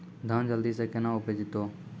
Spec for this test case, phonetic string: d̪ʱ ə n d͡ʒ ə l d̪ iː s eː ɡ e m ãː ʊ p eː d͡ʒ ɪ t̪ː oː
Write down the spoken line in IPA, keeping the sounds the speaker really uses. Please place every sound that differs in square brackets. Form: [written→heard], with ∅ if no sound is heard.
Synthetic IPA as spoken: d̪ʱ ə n d͡ʒ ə l d̪ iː s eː [ɡ→k] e [m→n] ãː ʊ p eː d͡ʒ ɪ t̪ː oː